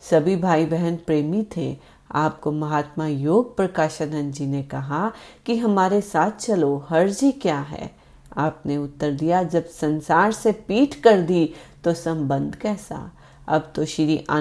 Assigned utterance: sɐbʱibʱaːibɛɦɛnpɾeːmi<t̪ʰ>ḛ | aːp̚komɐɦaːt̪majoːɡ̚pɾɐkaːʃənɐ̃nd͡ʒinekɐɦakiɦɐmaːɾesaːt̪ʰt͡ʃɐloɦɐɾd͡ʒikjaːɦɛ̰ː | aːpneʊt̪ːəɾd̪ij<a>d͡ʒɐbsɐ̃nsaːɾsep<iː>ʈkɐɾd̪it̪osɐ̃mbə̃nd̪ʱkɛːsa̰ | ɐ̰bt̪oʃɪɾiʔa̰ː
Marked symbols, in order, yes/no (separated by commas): yes, yes, yes